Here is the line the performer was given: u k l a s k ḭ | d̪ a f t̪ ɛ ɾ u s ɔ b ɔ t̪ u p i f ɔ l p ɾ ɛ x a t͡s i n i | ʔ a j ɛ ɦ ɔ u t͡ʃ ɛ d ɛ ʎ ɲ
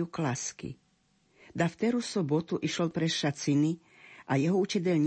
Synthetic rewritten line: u k l a s k ḭ | d̪ a f t̪ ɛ ɾ u s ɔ b ɔ t̪ u ʔ i ʃ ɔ l p ɾ ɛ ʃ a t͡s i n i | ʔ a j ɛ ɦ ɔ u t͡ʃ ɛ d ɛ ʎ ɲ